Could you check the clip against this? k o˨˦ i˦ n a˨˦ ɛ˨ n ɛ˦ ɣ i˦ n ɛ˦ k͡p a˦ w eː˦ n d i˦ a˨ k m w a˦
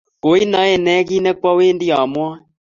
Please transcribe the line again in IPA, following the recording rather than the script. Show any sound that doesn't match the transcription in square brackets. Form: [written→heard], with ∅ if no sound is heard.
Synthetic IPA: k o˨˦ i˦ n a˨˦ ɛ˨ n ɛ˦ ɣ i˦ n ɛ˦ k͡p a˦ w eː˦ n d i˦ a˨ [k→∅] m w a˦